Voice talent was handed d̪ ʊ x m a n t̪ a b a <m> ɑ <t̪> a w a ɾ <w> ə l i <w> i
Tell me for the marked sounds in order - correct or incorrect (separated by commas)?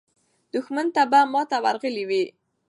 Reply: correct, correct, incorrect, correct